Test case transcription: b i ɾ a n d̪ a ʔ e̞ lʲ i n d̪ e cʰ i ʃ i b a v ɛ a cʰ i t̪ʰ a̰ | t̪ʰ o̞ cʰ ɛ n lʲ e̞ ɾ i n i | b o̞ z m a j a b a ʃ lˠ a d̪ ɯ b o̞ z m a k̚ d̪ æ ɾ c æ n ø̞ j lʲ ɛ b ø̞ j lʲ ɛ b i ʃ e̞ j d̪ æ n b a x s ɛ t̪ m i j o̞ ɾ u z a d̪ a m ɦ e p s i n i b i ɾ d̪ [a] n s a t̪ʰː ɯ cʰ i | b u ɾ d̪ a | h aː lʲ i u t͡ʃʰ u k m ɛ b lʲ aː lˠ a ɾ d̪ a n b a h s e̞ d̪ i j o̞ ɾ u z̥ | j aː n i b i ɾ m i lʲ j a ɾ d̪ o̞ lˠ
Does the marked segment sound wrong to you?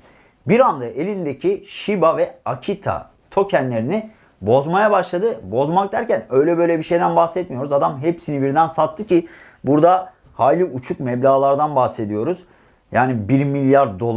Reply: yes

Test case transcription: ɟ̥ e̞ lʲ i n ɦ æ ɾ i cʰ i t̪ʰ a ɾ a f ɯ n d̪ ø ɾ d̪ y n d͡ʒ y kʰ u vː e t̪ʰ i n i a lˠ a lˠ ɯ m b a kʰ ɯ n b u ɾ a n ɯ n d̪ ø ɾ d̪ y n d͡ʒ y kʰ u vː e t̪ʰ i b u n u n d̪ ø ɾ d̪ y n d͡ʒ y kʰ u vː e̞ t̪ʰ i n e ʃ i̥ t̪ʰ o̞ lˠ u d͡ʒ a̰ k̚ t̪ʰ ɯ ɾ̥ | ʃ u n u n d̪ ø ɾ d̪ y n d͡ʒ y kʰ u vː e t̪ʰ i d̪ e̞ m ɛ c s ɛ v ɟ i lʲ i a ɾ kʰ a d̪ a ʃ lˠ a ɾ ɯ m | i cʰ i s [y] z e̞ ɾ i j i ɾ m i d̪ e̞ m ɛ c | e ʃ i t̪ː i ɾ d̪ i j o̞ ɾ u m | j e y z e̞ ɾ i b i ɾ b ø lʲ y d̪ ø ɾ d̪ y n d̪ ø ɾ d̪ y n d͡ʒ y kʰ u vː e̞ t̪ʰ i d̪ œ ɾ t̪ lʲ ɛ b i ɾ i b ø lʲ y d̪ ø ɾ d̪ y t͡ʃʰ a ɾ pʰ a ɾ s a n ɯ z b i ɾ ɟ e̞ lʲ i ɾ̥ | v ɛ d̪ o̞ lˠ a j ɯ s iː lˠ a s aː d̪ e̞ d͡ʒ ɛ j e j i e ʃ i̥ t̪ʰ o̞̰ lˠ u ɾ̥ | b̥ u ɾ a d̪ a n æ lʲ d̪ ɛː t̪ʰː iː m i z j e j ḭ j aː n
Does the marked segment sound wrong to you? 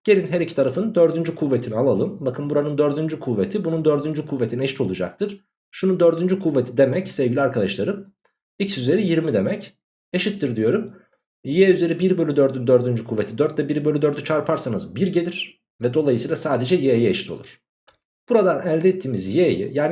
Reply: no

